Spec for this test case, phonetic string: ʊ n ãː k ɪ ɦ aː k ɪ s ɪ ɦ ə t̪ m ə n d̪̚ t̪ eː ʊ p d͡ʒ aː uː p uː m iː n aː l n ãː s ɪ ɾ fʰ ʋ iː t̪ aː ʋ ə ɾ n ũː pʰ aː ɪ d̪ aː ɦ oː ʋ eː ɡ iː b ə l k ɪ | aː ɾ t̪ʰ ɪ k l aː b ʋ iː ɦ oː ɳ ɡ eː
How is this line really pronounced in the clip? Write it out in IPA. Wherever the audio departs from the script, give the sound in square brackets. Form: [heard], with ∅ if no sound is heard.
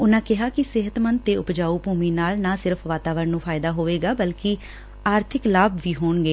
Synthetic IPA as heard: ʊ n ãː k ɪ ɦ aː k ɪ s ɪ ɦ ə t̪ m ə n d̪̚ t̪ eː ʊ p d͡ʒ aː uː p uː m iː n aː l n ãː s ɪ ɾ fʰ ʋ [aː] t̪ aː ʋ ə ɾ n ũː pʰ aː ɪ d̪ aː ɦ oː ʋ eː ɡ [aː] b ə l k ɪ | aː ɾ t̪ʰ ɪ k l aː b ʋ iː ɦ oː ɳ ɡ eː